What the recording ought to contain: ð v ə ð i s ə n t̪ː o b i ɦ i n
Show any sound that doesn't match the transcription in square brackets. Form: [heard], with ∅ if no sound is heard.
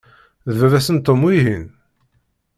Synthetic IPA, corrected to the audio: ð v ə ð [æ] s ə n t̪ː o [m] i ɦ i n